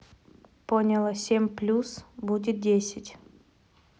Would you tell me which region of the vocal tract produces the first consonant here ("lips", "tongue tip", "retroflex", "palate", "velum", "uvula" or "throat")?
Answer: lips